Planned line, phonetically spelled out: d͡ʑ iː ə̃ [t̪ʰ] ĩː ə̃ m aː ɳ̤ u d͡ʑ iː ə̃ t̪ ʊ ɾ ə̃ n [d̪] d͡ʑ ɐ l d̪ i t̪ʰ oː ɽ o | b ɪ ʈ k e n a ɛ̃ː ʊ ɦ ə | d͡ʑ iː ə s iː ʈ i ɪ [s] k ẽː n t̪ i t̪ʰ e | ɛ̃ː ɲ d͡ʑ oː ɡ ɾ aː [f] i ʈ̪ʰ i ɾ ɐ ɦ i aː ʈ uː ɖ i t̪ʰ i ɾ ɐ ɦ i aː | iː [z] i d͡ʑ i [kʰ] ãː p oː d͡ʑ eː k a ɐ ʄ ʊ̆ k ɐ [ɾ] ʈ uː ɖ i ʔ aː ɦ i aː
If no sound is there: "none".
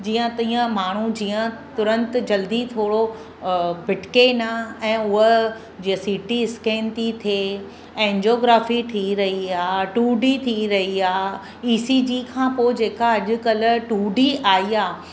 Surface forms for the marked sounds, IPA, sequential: t̪, t̪, s, f, s, kʰ, l

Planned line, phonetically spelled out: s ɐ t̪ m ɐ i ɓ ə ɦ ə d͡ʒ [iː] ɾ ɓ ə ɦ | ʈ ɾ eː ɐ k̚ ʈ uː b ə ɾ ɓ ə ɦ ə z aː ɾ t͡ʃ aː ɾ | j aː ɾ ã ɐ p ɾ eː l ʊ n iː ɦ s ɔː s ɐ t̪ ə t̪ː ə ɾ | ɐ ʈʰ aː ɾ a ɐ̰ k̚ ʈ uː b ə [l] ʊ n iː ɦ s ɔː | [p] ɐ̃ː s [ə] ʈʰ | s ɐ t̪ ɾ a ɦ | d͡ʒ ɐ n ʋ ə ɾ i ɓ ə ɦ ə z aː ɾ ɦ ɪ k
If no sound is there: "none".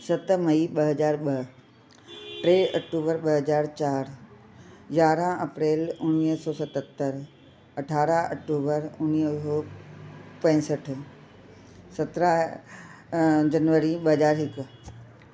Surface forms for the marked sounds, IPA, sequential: aː, ɾ, p, ə

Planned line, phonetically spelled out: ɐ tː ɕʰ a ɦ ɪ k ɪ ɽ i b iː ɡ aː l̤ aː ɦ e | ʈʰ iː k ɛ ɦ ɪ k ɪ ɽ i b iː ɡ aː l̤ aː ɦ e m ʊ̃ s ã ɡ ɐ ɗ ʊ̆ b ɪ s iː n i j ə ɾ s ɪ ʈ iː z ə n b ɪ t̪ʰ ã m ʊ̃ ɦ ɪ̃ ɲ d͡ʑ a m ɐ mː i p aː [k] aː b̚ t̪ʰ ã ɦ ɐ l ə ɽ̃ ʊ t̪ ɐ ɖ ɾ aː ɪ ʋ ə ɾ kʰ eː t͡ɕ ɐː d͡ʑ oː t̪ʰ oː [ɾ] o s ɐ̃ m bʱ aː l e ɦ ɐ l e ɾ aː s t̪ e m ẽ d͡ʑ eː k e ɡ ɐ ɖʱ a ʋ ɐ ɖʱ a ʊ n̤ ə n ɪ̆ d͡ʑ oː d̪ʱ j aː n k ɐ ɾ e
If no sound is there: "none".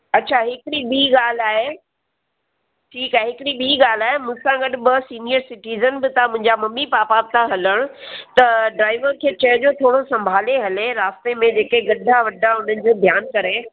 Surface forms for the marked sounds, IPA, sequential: p, ɽ

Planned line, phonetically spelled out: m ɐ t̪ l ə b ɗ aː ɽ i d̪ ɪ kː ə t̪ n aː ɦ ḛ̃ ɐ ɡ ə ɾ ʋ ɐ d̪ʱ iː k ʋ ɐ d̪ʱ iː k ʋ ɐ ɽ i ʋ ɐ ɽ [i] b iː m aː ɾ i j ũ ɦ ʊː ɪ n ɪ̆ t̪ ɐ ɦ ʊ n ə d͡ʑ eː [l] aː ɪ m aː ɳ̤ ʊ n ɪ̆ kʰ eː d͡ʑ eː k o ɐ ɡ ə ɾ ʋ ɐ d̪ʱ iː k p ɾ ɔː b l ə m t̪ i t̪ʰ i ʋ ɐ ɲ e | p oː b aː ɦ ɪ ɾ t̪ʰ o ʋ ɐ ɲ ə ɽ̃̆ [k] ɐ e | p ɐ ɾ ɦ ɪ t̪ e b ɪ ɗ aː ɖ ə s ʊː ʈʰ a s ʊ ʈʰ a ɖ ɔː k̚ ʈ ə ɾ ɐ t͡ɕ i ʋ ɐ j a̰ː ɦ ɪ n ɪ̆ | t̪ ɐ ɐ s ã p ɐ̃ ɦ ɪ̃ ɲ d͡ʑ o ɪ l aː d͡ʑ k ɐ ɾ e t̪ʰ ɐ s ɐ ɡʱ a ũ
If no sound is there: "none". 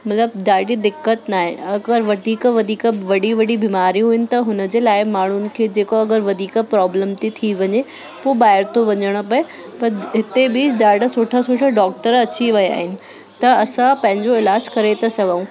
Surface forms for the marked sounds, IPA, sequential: i, l, p

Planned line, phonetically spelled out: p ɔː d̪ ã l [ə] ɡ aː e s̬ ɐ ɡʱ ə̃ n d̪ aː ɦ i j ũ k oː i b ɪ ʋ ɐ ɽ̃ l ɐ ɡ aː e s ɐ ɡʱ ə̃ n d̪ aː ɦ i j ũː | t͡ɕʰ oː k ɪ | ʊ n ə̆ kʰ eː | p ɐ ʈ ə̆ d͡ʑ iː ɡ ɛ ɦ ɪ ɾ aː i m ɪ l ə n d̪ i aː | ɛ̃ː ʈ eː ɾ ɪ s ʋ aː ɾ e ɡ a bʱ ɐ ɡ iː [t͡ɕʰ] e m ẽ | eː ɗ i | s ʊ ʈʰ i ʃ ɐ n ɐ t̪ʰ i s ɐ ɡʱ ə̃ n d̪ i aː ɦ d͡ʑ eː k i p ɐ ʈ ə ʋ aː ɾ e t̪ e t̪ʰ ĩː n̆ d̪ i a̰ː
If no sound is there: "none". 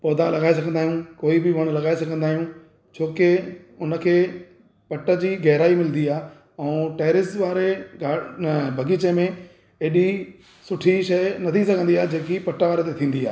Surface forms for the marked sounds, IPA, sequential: ɐ, t͡ɕ

